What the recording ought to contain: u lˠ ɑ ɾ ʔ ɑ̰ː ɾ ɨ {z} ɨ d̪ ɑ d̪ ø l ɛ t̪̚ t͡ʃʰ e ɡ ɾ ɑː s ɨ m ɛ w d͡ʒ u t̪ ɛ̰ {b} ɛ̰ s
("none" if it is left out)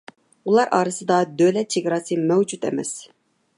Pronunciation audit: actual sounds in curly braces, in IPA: s, m

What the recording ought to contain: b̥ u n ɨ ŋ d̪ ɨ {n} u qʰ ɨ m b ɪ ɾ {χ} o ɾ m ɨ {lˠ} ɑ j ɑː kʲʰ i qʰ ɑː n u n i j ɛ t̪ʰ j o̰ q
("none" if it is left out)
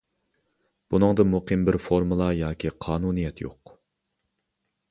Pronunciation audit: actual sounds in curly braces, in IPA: m, f, lˠ

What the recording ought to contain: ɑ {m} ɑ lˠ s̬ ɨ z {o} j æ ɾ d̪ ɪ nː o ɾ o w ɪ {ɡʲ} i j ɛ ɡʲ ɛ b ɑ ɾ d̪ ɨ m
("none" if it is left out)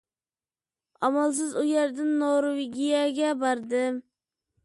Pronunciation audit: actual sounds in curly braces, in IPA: m, u, ɡʲ

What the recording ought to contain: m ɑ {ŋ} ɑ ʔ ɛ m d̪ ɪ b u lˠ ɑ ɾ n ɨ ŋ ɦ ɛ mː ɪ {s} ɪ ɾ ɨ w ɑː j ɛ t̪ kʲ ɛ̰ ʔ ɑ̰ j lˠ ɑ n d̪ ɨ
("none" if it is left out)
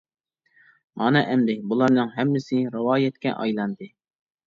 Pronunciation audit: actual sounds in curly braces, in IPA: n, s

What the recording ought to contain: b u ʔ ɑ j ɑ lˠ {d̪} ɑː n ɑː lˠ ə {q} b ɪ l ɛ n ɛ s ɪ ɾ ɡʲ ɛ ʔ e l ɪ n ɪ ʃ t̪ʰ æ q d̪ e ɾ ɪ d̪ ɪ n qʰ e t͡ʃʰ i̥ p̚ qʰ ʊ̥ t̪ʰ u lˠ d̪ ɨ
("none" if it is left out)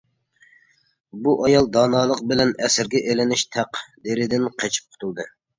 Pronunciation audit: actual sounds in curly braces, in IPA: d̪, q

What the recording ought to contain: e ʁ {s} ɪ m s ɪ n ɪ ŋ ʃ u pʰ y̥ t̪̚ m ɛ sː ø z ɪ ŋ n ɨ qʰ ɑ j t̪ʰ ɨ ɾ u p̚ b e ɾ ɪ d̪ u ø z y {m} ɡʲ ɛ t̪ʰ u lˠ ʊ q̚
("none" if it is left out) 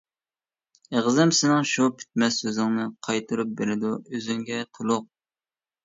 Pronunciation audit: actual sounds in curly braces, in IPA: z, ŋ

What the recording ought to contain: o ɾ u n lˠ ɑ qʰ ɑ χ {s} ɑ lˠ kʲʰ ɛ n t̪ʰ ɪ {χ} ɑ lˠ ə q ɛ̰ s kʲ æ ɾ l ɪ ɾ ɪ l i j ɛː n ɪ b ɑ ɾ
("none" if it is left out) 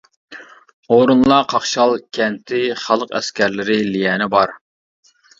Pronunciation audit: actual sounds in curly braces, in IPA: ʃ, χ

